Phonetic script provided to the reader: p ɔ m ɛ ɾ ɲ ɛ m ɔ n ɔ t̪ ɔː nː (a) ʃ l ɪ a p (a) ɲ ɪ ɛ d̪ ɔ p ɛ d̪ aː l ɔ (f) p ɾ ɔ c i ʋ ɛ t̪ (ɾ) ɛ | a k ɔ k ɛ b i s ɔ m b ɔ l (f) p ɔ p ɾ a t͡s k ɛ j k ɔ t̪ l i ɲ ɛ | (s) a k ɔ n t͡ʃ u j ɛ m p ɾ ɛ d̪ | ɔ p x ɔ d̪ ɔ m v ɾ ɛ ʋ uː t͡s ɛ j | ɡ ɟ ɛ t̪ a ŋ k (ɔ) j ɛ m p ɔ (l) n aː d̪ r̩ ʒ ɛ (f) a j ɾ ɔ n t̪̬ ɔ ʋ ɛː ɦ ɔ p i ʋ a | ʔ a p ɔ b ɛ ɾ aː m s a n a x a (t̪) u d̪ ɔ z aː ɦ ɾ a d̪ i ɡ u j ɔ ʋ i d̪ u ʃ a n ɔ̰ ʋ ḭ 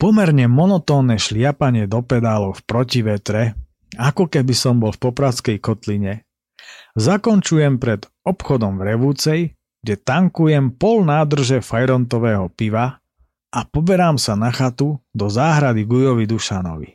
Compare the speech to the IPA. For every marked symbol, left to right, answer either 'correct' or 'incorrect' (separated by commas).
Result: incorrect, correct, correct, correct, correct, incorrect, incorrect, correct, correct, correct